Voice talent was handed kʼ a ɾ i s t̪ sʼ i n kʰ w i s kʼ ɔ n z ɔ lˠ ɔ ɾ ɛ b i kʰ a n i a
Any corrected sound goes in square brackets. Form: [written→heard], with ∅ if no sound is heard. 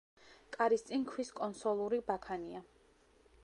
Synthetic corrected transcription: kʼ a ɾ i s t̪ sʼ i n kʰ w i s kʼ ɔ n [z→s] ɔ lˠ [ɔ→u] ɾ [ɛ→i] b [i→a] kʰ a n i a